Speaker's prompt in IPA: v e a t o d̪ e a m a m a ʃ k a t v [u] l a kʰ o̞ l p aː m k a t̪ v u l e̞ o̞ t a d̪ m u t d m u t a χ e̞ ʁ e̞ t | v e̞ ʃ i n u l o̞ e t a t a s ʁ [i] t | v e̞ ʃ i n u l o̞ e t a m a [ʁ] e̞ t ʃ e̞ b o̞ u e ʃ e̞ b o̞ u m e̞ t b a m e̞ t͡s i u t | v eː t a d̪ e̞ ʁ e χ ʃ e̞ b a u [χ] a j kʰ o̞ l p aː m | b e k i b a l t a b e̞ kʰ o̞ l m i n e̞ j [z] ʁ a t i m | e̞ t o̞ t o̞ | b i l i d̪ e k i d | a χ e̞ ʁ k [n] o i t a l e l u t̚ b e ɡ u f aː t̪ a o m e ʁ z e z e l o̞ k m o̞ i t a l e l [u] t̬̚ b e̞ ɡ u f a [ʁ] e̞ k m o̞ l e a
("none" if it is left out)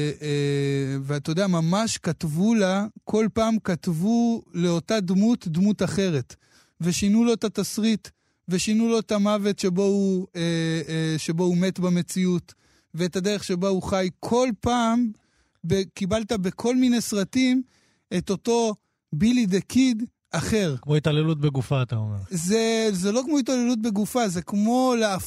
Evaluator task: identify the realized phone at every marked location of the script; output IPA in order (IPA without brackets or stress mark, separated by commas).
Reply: u, i, v, χ, s, m, u, z